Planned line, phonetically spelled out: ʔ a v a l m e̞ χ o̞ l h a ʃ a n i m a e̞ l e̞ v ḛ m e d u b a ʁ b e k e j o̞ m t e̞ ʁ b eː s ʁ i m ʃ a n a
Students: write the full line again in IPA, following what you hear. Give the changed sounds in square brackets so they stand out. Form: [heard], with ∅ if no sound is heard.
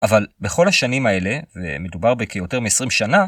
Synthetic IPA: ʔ a v a l [b] e̞ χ o̞ l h a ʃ a n i m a e̞ l e̞ v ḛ m e d u b a ʁ b e k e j o̞ [∅] t e̞ ʁ [m] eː s ʁ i m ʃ a n a